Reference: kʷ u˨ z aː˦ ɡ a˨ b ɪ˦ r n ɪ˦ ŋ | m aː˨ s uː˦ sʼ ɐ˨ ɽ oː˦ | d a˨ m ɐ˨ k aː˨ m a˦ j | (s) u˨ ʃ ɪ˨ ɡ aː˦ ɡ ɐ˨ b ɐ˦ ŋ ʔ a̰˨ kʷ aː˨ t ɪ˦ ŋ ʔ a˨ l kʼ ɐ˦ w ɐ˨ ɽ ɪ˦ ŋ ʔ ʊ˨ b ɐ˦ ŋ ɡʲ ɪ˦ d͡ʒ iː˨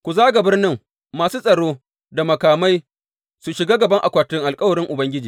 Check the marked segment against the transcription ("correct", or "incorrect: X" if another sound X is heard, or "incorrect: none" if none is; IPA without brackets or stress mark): correct